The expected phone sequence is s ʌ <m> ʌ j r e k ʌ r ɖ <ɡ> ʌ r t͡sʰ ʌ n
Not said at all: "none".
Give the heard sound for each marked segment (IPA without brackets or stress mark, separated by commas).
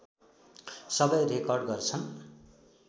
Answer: b, ɡ